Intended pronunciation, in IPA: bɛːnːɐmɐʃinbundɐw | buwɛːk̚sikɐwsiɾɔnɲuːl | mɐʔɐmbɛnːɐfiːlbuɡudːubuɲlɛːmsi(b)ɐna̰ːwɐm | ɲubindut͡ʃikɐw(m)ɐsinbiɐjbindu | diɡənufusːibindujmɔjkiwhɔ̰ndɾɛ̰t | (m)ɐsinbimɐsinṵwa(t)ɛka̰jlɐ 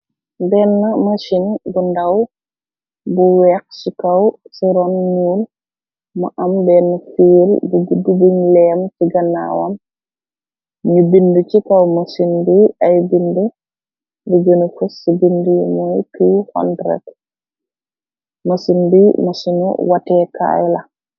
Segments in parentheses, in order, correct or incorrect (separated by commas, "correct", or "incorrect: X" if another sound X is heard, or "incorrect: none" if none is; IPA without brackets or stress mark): incorrect: ɡ, correct, correct, correct